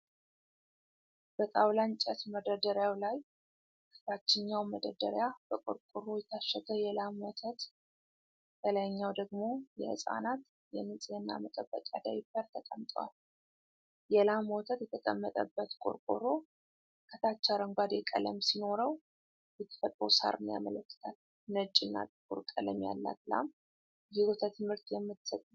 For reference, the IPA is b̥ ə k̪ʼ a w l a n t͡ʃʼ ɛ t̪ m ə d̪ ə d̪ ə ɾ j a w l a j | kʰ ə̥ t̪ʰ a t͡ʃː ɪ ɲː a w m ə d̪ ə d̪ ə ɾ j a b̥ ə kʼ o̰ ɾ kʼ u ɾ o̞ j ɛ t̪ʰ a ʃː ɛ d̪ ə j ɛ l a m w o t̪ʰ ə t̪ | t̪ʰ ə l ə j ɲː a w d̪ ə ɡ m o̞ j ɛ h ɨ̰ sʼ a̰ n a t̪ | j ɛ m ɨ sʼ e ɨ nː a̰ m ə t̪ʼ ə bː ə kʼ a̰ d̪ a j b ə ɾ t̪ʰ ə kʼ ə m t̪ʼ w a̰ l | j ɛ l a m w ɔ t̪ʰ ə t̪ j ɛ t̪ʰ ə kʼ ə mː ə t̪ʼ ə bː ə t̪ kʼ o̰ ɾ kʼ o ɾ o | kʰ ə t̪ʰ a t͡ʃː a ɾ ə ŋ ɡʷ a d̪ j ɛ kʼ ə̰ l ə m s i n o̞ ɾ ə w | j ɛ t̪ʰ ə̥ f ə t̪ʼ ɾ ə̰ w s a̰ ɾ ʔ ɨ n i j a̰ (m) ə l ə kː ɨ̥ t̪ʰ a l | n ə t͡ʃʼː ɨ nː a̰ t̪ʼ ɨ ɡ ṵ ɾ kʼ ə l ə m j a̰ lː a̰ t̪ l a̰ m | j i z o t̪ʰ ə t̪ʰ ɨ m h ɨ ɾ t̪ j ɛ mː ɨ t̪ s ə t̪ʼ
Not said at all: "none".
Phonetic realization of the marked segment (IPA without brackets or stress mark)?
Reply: m